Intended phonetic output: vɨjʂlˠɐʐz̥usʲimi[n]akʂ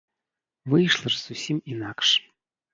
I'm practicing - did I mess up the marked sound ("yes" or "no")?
no